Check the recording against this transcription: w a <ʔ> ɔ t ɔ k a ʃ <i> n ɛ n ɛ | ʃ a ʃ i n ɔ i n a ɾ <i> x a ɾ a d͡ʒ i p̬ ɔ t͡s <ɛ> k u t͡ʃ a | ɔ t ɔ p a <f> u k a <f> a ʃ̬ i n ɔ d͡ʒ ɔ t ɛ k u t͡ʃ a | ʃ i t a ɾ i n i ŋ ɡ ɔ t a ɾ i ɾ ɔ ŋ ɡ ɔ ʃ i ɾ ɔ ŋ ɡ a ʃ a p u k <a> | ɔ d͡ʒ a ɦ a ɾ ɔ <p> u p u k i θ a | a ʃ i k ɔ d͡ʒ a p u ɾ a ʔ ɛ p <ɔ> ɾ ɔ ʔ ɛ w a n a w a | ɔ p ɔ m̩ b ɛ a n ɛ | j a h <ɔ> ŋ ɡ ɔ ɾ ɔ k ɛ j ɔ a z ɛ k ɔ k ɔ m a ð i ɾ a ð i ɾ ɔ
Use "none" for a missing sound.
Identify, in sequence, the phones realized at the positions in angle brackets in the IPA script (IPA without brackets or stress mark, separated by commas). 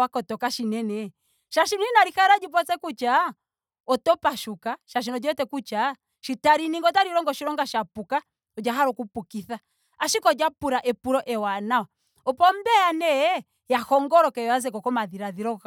k, i, i, ɛ, ʃ, ʃ, a, k, u, ɔ